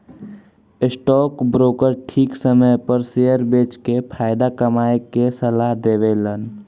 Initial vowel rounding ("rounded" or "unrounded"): unrounded